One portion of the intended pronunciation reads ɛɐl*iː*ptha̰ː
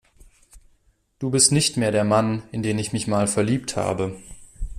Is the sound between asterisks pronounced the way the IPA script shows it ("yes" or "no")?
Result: yes